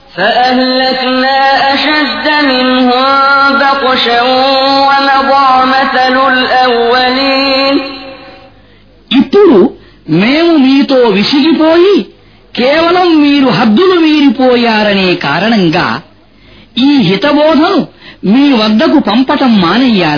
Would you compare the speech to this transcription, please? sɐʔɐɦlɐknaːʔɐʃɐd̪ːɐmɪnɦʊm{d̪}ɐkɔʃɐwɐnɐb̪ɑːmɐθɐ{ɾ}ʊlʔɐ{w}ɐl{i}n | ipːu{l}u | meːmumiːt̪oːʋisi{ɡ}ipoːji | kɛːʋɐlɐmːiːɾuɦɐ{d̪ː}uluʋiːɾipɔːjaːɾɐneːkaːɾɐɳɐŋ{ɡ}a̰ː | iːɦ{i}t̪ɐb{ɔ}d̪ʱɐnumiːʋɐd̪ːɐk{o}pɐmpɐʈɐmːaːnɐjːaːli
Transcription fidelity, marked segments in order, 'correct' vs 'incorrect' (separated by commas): correct, incorrect, incorrect, incorrect, incorrect, correct, correct, correct, correct, incorrect, incorrect